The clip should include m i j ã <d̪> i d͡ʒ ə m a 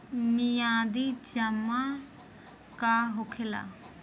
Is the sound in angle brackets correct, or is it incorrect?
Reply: correct